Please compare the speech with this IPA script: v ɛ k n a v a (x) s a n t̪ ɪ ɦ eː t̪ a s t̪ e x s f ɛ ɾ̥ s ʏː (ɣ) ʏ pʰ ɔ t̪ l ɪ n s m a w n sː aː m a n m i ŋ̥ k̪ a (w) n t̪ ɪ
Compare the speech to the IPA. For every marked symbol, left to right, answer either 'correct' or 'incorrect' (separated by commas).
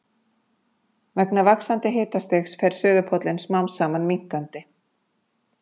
incorrect, incorrect, incorrect